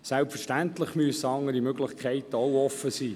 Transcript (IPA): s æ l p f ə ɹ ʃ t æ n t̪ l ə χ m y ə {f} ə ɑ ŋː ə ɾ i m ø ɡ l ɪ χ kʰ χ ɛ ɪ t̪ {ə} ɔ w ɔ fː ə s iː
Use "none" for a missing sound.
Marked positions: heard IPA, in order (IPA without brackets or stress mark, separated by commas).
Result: s, ə